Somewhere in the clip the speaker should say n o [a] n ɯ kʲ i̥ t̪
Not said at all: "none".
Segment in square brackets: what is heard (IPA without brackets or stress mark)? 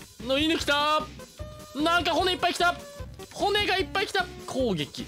i